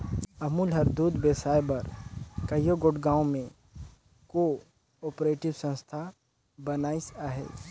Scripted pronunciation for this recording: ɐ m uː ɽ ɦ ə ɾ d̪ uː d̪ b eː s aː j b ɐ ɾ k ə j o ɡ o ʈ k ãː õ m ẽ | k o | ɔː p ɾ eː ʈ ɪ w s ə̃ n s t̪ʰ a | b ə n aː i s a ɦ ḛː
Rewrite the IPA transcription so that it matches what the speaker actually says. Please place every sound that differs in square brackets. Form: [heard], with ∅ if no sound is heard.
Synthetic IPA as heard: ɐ m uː [l] ɦ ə ɾ d̪ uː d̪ b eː s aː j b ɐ ɾ k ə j o ɡ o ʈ [ɡ] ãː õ m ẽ | k o | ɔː p ɾ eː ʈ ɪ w s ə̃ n s t̪ʰ a | b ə n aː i s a ɦ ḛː